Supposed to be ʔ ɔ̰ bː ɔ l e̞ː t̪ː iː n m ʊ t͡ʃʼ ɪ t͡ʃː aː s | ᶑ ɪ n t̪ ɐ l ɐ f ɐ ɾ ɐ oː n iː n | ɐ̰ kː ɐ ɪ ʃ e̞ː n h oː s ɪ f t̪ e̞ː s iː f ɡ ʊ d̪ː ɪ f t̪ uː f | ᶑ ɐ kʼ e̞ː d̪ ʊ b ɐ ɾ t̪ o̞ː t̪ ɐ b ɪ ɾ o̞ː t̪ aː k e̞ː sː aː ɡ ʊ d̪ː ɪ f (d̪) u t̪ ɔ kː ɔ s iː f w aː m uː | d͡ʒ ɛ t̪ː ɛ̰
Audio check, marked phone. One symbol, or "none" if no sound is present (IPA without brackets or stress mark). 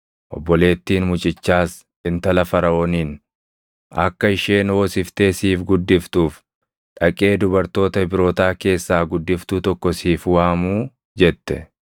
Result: t̪